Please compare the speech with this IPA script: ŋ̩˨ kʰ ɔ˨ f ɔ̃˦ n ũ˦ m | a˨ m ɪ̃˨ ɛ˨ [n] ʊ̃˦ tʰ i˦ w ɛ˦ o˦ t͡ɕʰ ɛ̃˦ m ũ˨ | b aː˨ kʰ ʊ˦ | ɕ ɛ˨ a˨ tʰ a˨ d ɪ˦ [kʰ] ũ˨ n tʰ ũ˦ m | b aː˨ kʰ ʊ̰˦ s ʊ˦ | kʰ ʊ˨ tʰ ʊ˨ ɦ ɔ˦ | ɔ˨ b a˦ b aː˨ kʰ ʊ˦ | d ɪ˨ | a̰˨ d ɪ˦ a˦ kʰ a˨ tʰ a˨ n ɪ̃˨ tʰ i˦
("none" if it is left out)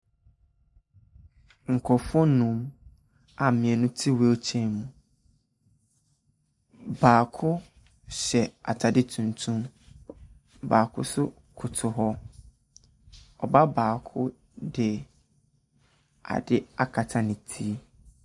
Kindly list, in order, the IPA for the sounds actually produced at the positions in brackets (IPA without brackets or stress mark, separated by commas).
n, tʰ